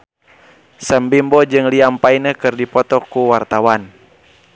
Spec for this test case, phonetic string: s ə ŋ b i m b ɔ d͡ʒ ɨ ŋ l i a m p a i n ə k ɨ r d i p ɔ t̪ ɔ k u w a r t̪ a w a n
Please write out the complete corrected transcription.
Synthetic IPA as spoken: s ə m b i m b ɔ d͡ʒ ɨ ŋ l i a m p a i n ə k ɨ r d i p ɔ t̪ ɔ k u w a r t̪ a w a n